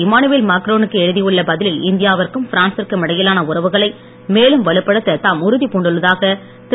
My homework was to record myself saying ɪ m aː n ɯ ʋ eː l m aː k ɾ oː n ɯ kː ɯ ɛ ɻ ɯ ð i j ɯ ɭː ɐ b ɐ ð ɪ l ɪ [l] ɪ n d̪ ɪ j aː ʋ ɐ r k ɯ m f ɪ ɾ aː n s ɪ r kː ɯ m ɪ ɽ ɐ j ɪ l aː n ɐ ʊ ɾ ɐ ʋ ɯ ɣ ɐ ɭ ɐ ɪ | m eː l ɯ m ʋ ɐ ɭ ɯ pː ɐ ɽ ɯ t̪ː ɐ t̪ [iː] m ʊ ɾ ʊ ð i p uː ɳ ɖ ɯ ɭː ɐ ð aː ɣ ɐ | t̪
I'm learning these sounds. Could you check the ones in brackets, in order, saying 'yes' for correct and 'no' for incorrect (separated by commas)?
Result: yes, no